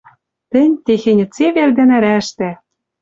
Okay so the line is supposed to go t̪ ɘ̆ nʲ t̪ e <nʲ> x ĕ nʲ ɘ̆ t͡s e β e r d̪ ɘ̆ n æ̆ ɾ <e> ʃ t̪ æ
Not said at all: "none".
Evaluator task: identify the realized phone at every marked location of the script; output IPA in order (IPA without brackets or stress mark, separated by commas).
none, æ